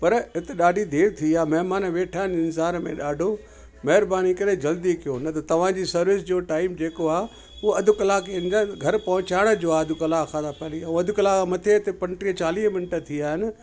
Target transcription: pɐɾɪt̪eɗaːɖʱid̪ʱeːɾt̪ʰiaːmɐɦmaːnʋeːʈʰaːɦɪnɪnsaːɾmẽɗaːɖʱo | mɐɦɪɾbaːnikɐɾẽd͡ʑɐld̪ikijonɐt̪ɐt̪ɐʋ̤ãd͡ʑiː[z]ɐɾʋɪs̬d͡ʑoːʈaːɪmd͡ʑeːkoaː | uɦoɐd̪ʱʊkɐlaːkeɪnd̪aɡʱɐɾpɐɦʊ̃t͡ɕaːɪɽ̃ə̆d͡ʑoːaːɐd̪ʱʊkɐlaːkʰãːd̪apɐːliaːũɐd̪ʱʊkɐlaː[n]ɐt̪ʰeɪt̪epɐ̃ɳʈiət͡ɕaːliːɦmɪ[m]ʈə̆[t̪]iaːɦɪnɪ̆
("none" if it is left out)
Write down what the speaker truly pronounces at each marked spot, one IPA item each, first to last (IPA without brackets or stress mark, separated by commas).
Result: s, m, n, t̪ʰ